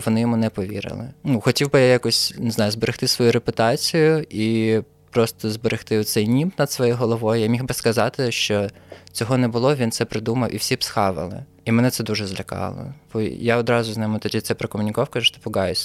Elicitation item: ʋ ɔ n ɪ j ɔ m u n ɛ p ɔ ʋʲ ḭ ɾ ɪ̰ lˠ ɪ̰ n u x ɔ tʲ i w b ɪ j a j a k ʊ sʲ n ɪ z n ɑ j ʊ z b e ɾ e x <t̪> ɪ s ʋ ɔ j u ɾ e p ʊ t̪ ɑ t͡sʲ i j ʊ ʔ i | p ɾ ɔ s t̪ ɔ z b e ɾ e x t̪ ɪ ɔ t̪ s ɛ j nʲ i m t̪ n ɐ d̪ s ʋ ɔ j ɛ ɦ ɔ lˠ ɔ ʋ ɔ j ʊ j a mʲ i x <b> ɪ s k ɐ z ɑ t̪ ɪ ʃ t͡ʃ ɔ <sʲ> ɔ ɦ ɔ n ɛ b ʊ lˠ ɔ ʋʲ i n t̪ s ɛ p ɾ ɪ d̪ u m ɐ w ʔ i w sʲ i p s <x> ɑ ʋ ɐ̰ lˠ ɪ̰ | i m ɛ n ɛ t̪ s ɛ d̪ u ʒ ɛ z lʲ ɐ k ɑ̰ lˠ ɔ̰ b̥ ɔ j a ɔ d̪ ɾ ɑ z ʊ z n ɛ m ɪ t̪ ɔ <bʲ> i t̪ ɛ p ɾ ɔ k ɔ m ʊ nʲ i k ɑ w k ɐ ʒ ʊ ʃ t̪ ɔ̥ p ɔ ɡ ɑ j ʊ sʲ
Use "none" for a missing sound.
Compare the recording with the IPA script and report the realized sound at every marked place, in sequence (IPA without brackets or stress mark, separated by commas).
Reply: t̪, b, t͡sʲ, x, dʲ